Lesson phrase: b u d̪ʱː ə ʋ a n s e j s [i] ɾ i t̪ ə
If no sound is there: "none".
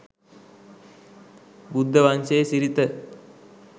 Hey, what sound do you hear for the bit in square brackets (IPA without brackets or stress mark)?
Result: i